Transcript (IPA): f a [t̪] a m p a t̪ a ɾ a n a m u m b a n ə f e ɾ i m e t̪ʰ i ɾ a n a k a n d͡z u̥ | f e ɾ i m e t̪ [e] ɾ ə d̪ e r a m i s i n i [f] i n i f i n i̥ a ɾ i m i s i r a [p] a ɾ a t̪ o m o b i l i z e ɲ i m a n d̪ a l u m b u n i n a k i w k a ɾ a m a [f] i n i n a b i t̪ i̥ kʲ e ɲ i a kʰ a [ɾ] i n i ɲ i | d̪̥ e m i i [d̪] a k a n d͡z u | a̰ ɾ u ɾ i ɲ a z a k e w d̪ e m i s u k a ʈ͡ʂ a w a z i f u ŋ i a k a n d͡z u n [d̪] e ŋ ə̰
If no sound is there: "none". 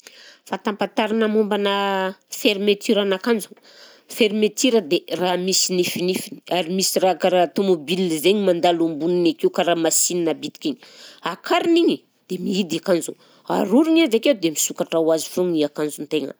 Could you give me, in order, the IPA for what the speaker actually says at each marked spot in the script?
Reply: t̪, i, f, k, s, ɾ, d̪, t̪

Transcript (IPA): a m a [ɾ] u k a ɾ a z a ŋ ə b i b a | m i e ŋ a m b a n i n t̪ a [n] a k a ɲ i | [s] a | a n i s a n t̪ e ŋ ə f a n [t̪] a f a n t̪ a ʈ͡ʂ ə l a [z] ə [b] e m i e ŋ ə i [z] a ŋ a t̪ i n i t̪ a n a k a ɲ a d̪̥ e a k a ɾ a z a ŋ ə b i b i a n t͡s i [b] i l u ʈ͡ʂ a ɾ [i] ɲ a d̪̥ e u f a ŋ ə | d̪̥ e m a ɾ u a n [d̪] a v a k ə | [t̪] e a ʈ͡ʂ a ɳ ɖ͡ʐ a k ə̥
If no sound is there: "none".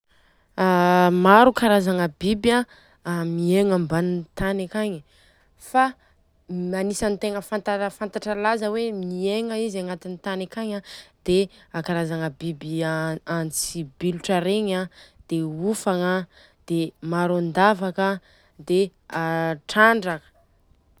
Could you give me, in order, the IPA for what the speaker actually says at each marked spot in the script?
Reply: ɾ, n, f, t̪, z, w, z, b, e, d̪, d̪

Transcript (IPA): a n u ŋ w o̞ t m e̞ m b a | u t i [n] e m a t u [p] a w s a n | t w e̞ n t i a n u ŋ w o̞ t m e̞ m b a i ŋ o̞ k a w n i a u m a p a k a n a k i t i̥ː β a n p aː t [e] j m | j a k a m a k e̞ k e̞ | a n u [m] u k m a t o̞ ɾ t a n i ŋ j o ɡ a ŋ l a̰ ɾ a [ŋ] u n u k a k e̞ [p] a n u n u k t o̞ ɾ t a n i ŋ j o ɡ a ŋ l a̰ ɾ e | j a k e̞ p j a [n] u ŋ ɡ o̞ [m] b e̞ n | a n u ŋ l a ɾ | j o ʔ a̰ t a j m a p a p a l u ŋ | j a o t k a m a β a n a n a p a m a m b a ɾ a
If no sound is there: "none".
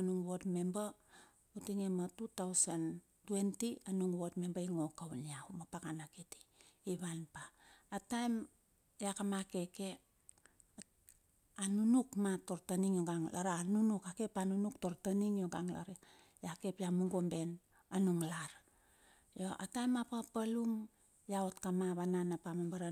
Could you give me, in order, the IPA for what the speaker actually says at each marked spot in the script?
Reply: ŋ, t, a, n, n, p, m, m

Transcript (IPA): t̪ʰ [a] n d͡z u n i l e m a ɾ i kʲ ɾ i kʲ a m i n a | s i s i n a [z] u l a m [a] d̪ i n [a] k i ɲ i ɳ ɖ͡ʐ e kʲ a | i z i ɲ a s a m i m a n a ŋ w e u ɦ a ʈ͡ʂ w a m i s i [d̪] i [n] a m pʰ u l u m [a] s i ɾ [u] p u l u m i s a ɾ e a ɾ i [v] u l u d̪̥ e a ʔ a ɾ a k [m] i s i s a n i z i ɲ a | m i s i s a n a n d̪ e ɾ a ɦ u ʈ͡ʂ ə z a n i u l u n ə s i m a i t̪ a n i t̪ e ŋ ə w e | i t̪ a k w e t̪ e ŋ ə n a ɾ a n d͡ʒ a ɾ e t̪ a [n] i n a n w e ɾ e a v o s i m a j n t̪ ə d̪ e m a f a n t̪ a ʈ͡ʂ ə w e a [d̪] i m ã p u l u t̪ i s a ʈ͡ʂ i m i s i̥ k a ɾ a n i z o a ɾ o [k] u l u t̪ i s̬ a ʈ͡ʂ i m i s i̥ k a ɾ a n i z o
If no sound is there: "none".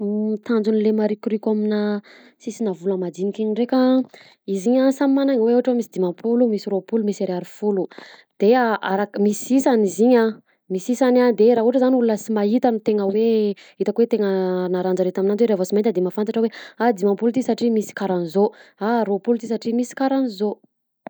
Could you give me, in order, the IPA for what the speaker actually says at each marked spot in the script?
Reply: a, v, a, i, d̪, m, i, o, f, m, m, d̪, p

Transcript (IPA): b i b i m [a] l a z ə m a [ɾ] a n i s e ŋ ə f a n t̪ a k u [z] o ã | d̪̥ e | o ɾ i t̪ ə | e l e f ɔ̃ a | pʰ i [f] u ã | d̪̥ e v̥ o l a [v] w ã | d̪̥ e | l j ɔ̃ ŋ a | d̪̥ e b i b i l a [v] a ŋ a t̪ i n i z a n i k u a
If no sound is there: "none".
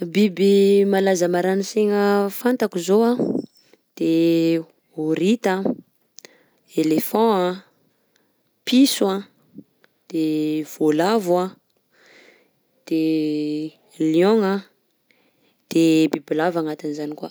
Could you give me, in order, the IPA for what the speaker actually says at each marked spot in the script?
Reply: a, ɾ, z, s, v, v

